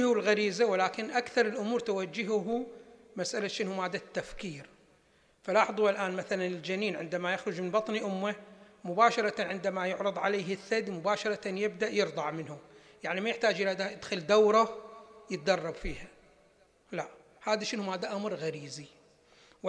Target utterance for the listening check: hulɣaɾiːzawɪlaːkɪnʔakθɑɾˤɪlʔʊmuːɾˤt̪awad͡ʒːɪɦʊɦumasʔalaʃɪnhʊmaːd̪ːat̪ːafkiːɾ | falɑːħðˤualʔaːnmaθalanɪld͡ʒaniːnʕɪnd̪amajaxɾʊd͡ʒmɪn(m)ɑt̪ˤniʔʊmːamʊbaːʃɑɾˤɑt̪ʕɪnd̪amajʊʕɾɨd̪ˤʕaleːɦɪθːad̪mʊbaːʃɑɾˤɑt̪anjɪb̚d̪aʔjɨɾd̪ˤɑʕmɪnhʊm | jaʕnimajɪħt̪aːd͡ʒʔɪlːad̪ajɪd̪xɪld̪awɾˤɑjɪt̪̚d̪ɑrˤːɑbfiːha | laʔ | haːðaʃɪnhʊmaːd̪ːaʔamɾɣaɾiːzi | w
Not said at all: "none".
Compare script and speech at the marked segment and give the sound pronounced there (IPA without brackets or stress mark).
b